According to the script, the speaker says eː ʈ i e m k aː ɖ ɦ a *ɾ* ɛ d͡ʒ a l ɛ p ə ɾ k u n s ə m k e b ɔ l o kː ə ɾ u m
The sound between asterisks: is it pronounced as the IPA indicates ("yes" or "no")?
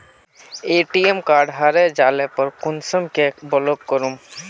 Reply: yes